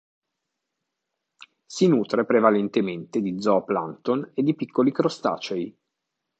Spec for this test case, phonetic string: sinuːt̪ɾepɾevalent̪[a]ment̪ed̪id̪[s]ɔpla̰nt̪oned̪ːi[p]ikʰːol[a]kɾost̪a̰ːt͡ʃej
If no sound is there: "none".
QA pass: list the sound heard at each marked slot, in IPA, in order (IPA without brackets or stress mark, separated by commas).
e, z, p, i